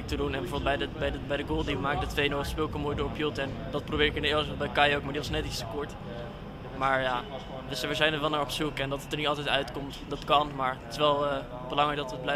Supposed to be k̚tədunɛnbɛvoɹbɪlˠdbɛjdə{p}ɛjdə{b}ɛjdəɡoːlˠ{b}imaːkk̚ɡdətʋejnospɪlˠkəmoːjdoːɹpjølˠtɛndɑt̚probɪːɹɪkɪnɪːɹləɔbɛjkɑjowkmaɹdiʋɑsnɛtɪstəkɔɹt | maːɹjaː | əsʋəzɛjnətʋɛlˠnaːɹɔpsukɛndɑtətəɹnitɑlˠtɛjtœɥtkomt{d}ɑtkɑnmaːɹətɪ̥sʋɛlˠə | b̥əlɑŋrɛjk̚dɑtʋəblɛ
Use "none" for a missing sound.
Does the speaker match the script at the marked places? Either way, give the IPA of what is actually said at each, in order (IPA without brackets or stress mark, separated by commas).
b, b, d, d